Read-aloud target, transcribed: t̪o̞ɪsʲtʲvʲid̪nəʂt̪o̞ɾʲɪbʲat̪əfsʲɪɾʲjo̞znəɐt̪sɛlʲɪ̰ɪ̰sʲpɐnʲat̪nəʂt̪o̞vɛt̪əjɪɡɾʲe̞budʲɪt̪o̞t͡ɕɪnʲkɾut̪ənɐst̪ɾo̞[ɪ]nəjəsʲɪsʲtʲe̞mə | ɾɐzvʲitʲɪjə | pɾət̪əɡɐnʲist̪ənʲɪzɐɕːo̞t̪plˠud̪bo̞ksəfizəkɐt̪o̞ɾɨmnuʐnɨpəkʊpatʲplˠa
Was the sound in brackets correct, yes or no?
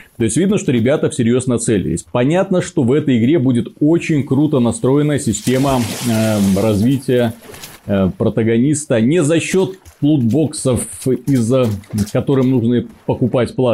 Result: yes